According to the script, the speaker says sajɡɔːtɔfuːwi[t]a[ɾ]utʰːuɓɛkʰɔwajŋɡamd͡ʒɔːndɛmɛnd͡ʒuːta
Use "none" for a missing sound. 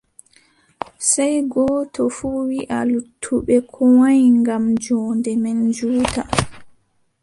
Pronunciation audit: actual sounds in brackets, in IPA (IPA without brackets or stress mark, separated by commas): ʔ, l